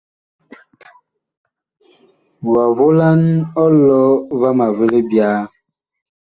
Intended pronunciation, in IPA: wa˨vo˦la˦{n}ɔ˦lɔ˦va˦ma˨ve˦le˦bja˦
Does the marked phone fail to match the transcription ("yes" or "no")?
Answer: no